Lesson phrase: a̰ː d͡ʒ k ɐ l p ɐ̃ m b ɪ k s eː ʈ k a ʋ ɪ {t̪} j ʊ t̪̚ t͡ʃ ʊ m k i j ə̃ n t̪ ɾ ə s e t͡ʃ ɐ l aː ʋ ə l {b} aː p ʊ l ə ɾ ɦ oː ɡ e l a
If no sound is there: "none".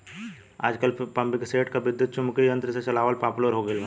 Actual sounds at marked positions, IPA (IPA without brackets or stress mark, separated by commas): d̪, p